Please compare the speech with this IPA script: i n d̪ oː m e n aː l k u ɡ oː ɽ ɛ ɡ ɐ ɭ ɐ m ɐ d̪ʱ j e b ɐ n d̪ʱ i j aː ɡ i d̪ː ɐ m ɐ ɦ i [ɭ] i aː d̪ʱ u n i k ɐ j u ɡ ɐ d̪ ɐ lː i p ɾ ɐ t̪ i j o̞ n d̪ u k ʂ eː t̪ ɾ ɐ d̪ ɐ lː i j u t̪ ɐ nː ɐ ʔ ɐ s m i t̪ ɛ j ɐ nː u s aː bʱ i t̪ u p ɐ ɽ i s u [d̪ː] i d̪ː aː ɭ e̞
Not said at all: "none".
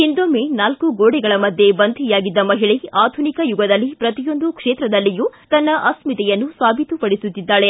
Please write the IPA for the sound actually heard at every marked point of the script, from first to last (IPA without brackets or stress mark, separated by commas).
ɭ, t̪ː